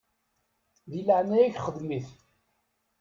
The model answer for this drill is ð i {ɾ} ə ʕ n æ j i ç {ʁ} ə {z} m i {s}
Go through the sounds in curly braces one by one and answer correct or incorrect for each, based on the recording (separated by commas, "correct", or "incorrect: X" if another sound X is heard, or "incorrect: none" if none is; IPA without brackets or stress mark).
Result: incorrect: l, incorrect: χ, incorrect: ð, incorrect: θ